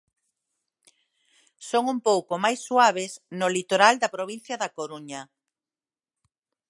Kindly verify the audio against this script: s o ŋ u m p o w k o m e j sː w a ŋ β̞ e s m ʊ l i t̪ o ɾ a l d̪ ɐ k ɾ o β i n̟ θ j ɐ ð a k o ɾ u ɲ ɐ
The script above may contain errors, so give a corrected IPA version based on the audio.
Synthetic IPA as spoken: s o ŋ u m p o w k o m a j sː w a β̞ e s n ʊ l i t̪ o ɾ a l d̪ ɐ p ɾ o β i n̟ θ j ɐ ð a k o ɾ u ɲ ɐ